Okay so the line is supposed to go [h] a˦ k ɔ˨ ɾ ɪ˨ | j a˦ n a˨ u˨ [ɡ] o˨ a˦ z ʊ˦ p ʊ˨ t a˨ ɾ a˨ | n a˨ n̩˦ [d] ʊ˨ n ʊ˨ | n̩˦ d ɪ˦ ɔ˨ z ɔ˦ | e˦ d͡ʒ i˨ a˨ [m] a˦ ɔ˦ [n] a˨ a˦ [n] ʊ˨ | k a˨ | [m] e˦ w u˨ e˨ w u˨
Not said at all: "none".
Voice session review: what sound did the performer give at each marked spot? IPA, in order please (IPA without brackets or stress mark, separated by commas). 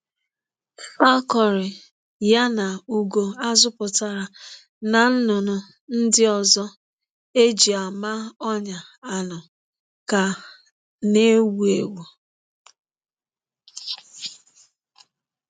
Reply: f, ɡ, n, m, ɲ, n, n